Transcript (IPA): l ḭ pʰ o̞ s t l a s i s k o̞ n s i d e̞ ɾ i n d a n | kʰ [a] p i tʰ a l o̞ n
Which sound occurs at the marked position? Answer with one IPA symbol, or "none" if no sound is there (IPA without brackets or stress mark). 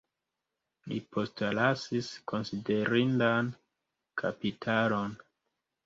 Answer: a